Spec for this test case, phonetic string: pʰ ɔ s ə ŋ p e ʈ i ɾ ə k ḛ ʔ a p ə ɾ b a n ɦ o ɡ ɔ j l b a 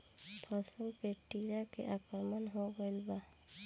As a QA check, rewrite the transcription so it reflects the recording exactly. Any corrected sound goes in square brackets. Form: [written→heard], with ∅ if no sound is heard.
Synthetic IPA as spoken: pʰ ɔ s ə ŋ p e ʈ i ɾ [ə→a] k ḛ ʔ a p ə ɾ [b→m] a n ɦ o ɡ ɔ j l b a